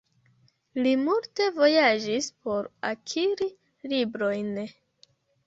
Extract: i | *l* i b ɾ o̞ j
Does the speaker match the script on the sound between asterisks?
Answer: yes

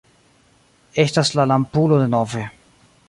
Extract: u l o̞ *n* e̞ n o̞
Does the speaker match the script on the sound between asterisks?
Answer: no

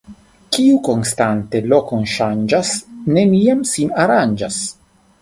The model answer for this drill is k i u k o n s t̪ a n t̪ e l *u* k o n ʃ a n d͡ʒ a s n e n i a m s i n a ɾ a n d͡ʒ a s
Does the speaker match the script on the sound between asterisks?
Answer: no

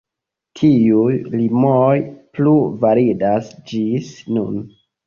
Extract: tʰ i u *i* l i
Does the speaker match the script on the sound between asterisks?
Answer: no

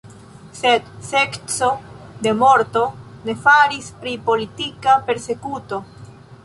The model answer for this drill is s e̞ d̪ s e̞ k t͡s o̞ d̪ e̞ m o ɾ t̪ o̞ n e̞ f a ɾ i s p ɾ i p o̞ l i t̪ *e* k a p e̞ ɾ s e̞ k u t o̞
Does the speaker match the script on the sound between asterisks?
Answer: no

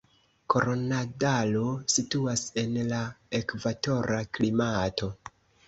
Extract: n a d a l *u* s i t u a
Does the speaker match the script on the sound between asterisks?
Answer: no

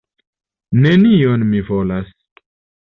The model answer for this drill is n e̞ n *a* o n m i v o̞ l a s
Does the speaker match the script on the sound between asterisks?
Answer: no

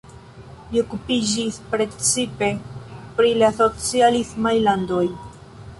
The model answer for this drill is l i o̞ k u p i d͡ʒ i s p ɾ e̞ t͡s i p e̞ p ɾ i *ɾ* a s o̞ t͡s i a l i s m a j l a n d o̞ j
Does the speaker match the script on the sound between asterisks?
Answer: no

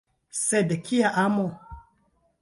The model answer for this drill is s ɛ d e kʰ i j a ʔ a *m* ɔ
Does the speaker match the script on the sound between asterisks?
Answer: yes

